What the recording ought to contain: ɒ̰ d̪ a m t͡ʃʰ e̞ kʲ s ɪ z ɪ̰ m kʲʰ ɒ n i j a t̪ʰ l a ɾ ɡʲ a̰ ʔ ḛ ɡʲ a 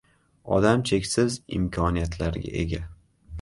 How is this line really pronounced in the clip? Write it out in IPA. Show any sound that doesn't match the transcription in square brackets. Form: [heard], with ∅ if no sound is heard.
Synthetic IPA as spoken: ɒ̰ d̪ a m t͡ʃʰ e̞ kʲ s ɪ z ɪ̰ m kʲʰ ɒ n i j a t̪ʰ l a ɾ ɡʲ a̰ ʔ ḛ ɡʲ a